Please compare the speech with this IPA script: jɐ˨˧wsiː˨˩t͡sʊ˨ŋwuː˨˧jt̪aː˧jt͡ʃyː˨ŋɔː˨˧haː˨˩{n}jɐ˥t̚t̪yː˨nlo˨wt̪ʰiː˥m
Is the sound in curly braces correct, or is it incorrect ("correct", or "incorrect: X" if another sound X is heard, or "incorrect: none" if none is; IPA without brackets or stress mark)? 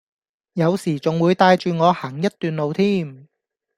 incorrect: ŋ